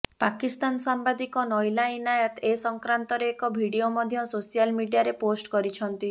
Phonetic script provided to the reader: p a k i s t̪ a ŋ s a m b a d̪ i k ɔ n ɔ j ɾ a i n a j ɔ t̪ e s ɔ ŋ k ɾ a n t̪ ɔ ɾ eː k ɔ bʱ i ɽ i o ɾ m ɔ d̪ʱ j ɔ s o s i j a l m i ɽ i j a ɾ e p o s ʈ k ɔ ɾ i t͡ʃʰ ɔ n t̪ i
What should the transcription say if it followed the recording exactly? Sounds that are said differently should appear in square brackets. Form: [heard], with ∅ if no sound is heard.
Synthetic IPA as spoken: p a k i s t̪ a [n] s a m b a d̪ i k ɔ n ɔ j [l] a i n a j ɔ t̪ e s ɔ ŋ k ɾ a n t̪ ɔ ɾ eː k ɔ bʱ i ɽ i o [∅] m ɔ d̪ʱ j ɔ s o s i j a l m i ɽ i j a ɾ e p o s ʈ k ɔ ɾ i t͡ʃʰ ɔ n t̪ i

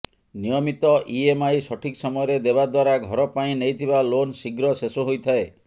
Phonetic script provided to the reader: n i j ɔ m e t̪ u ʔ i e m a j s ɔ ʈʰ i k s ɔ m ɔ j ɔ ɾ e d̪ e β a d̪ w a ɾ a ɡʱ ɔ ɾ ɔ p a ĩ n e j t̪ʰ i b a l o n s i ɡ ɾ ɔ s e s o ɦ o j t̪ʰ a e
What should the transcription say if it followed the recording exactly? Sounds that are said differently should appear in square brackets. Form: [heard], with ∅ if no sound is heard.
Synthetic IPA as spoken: n i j ɔ m [i] t̪ [ɔ] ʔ i e m a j s ɔ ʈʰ i k s ɔ m ɔ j ɔ ɾ e d̪ e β a d̪ w a ɾ a ɡʱ ɔ ɾ ɔ p a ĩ n e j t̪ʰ i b a l o n s i ɡ ɾ ɔ s e s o ɦ o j t̪ʰ a e

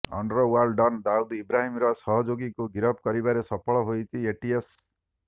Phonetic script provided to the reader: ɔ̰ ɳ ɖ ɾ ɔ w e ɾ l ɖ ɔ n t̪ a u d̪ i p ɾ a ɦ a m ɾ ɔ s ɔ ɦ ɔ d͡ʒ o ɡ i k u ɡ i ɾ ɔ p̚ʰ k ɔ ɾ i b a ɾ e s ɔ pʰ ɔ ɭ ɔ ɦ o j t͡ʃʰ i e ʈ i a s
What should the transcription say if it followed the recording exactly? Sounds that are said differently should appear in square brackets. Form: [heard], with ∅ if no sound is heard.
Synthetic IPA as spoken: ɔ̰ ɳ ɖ ɾ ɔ w [a] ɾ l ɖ ɔ n [d̪] a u d̪ i [b] ɾ a ɦ [i] m ɾ ɔ s ɔ ɦ ɔ d͡ʒ o ɡ i k u ɡ i ɾ ɔ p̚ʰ k ɔ ɾ i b a ɾ e s ɔ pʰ ɔ ɭ ɔ ɦ o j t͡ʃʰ i e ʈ i [e] s

